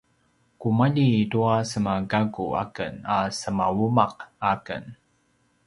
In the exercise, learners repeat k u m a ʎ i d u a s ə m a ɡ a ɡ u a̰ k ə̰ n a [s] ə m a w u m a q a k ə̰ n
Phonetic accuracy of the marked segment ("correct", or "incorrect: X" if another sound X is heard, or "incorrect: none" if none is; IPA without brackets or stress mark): correct